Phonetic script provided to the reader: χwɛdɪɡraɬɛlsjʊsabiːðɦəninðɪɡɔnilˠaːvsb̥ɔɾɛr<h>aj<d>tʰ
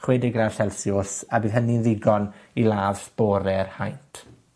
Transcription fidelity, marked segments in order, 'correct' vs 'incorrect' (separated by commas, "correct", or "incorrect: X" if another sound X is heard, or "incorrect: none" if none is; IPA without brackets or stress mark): correct, incorrect: n